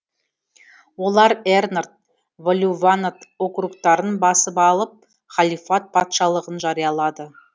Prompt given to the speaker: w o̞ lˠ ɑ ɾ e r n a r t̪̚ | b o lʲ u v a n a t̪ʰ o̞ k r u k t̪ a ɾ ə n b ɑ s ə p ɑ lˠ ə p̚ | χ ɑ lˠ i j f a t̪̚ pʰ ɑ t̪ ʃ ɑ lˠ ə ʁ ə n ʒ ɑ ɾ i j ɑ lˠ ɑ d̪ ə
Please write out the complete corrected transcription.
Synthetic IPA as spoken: w o̞ lˠ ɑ ɾ e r n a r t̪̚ | v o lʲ u v a n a t̪ o̞ k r u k t̪ ɑ ɾ ə n b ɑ s ə p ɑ lˠ ə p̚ | χ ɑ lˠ i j f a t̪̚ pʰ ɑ t̪ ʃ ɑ lˠ ə ʁ ə n ʒ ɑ ɾ i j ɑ lˠ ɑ d̪ ə